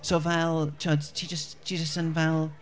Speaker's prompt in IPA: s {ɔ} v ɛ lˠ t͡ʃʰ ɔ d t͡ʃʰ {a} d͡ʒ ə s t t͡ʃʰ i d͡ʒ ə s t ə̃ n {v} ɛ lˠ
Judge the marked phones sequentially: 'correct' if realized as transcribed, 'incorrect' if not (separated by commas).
incorrect, incorrect, correct